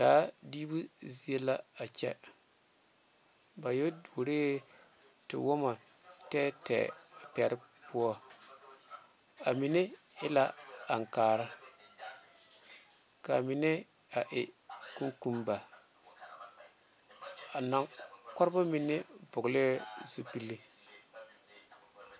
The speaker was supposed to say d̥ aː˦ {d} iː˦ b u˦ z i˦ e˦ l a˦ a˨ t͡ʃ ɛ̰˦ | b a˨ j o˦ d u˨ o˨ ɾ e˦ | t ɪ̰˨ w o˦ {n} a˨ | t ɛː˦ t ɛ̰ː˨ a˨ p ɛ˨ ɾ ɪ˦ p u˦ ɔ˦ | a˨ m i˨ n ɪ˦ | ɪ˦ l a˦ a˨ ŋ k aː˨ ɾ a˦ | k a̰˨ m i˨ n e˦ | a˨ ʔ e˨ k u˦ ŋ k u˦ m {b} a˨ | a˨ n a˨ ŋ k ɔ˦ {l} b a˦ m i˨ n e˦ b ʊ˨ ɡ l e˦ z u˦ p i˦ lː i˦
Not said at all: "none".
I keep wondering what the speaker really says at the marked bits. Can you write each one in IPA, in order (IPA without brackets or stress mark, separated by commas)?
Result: d, m, b, ɾ